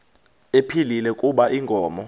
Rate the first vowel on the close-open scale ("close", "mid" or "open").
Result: mid